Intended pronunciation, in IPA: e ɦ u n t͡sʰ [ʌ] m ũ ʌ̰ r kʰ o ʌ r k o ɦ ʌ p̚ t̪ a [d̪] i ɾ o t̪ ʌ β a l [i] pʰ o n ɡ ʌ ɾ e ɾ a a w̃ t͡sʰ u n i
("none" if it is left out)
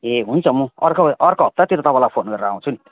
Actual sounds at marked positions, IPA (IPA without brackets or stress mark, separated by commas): ʌ, t̪, a